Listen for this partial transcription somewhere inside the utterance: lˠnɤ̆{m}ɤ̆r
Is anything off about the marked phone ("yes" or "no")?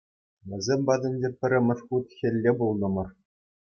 no